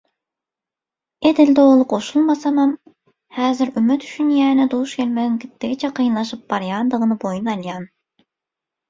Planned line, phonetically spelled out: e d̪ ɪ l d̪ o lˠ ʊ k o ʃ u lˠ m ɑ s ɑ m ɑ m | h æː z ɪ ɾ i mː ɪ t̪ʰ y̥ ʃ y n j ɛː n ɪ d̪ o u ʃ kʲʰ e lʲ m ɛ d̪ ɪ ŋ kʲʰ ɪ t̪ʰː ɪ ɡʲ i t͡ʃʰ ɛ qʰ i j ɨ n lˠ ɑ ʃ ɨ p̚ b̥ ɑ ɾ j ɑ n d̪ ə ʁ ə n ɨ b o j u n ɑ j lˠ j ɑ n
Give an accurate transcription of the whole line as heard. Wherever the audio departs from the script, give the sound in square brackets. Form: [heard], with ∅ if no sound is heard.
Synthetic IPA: e d̪ ɪ l d̪ o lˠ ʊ [q] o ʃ u lˠ m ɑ s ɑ m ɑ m | h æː z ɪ ɾ [y] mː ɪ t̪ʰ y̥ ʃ y n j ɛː n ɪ d̪ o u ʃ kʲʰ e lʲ m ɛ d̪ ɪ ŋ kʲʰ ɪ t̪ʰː ɪ ɡʲ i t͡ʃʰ ɛ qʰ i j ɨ n lˠ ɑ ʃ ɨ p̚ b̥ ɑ ɾ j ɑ n d̪ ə ʁ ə n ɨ b o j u n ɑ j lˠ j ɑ n